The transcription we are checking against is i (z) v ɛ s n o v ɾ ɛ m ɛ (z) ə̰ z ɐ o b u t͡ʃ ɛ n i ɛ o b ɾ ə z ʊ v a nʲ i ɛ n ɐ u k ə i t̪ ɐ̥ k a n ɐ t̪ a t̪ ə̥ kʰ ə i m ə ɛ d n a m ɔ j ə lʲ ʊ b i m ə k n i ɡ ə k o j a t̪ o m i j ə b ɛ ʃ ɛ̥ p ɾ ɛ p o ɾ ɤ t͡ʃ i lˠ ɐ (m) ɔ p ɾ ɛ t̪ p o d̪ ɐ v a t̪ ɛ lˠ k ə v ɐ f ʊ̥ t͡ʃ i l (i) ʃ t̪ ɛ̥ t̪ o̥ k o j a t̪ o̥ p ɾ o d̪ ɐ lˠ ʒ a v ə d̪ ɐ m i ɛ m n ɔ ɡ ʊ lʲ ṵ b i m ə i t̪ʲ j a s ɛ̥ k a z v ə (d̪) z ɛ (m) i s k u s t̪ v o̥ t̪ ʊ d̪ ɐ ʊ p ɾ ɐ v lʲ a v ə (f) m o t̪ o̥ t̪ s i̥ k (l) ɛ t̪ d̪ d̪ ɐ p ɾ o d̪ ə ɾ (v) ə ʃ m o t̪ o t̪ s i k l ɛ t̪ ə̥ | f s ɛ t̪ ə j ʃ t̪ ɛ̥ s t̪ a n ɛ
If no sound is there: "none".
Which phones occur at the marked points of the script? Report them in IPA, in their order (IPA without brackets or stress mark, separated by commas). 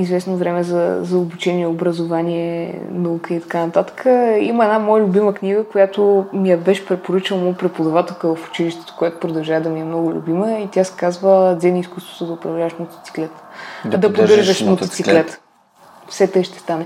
z, z, m, i, d̪, n, ʃ, l, ʒ